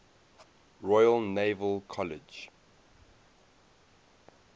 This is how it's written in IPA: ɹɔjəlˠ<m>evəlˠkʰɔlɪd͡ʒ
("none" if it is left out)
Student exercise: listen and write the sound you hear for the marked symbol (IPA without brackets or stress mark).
n